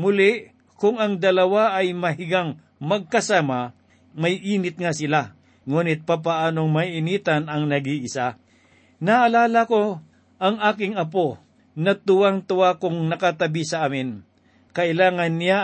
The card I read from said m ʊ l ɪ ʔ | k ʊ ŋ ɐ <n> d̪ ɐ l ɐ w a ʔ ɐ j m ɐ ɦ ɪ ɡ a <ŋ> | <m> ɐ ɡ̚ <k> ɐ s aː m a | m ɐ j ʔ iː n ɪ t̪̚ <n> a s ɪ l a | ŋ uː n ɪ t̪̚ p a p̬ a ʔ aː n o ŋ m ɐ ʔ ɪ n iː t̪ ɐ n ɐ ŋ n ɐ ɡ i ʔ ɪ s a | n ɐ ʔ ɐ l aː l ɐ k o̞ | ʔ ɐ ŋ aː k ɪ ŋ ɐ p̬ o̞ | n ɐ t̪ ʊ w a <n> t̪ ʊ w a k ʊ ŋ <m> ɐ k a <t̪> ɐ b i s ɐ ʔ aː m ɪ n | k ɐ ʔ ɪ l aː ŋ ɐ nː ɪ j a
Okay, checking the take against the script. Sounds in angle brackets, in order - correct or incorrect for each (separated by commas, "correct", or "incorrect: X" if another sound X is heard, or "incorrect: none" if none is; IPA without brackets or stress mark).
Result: incorrect: ŋ, correct, correct, correct, incorrect: ŋ, incorrect: ŋ, incorrect: n, correct